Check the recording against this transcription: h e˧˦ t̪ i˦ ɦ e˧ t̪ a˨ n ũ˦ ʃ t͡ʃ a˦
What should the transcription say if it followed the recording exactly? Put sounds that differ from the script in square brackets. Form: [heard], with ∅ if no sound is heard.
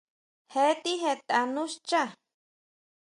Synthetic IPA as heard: h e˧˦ t̪ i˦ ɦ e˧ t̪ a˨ n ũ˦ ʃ t͡ʃ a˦